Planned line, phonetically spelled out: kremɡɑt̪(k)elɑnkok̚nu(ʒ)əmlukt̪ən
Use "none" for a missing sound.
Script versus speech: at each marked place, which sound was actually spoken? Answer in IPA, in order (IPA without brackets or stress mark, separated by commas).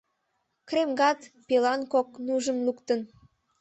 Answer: p, ʒ